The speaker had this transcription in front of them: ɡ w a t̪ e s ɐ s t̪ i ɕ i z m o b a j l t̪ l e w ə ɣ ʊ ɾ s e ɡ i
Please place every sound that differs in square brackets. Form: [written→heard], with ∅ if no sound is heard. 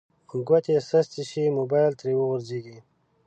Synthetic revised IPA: ɡ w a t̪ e s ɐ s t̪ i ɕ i [z→∅] m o b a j l t̪ [l→ɾ] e w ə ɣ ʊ ɾ [s→z] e ɡ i